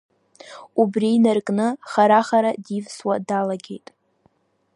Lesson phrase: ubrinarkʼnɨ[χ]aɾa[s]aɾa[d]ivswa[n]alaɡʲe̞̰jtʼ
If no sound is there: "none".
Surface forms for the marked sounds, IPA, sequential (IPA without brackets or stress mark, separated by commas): χ, χ, d, d